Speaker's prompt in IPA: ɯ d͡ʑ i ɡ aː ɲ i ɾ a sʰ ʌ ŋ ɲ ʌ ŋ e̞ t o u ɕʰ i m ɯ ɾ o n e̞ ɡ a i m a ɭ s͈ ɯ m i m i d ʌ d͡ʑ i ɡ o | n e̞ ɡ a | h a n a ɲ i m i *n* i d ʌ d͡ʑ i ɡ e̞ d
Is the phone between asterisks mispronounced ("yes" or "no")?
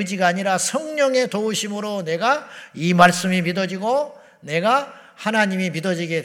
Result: yes